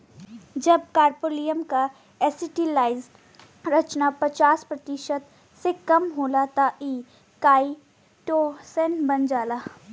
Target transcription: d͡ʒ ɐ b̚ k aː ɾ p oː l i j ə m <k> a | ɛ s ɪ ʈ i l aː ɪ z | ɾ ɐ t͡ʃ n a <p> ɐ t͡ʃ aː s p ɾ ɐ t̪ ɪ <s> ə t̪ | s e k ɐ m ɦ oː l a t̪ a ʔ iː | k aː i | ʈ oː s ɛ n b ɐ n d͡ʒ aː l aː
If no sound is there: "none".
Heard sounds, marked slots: k, p, ʃ

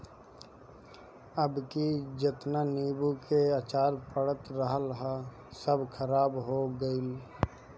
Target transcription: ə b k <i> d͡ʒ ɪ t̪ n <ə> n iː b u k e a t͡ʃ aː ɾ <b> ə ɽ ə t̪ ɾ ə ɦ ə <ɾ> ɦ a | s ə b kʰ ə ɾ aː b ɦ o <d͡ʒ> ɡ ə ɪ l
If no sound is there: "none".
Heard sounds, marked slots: i, a, p, l, none

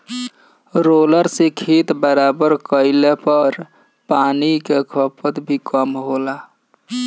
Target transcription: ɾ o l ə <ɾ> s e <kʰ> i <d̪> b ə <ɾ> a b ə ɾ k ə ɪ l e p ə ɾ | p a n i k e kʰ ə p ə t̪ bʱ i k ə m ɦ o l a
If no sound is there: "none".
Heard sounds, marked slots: ɾ, kʰ, t̪, ɾ

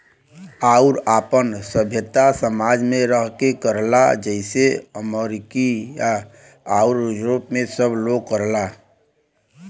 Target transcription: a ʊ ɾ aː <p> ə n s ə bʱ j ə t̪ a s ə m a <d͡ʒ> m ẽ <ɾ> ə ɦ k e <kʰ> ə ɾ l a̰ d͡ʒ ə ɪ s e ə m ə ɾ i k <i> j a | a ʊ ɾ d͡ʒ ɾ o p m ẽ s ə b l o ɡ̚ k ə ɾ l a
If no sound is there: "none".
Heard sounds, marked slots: p, d͡ʒ, ɾ, k, i

